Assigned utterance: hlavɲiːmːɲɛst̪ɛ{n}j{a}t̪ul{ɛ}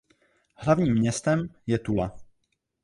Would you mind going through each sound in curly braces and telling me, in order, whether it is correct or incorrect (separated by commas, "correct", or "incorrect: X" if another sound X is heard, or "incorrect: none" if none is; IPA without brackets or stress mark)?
incorrect: m, incorrect: ɛ, incorrect: a